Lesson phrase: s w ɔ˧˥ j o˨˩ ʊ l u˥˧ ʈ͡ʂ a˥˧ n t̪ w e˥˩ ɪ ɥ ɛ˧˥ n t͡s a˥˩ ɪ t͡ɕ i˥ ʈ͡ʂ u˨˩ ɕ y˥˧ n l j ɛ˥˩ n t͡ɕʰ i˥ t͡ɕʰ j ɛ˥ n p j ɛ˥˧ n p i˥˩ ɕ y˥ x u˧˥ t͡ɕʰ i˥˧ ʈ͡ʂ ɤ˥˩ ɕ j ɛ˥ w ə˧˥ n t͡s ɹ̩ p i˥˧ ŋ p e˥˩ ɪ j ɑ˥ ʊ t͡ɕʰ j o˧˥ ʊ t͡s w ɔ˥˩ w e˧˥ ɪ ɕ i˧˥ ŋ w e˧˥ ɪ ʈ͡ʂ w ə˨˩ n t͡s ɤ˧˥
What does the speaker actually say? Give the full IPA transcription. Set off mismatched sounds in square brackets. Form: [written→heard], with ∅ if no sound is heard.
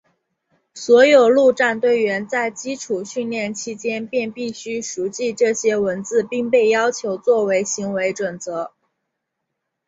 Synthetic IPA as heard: s w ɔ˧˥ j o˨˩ ʊ l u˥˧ ʈ͡ʂ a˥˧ n t̪ w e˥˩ ɪ ɥ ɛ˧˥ n t͡s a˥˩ ɪ t͡ɕ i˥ [ʈ͡ʂ→ʈ͡ʂʰ] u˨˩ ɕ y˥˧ n l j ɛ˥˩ n t͡ɕʰ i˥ [t͡ɕʰ→t͡ɕ] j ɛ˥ n p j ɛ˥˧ n p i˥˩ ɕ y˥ [x→ʂ] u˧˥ [t͡ɕʰ→t͡ɕ] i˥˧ ʈ͡ʂ ɤ˥˩ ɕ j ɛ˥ w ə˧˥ n t͡s ɹ̩ p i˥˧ ŋ p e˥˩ ɪ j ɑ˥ ʊ t͡ɕʰ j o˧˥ ʊ t͡s w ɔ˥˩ w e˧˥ ɪ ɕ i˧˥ ŋ w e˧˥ ɪ ʈ͡ʂ w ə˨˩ n t͡s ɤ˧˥